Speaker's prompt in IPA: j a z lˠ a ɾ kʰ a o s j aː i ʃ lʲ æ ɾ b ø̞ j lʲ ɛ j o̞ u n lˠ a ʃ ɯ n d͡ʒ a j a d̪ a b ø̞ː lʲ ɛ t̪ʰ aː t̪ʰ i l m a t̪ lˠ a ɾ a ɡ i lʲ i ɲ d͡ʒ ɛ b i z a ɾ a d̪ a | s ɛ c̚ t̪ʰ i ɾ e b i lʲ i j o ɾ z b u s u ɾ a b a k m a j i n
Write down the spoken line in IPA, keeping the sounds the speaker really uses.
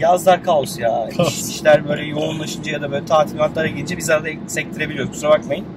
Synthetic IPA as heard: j a z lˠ a ɾ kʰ a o s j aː i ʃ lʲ æ ɾ b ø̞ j lʲ ɛ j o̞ u n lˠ a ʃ ɯ n d͡ʒ a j a d̪ a b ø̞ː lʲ ɛ t̪ʰ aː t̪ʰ i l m a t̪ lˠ a ɾ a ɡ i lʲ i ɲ d͡ʒ ɛ b i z a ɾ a d̪ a | s ɛ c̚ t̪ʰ i ɾ e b i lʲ i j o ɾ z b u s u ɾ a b a k m a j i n